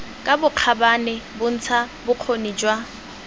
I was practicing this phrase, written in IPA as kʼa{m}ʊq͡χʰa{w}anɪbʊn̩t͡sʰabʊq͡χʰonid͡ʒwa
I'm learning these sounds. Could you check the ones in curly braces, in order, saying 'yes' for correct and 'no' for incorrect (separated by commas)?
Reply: no, no